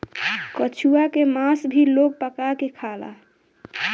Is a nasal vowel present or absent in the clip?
absent